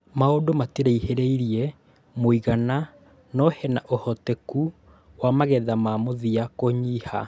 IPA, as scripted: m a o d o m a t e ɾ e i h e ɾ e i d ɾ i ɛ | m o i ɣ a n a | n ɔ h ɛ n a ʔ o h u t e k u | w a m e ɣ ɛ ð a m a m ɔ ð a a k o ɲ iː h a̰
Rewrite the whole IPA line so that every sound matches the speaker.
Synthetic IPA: m a o d o m a t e ɾ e i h e ɾ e i ɾ i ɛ | m o i ɣ a n a | n ɔ h ɛ n a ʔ o h ɔ t e k u | w a m a ɣ ɛ ð a m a m o ð i a k o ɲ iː h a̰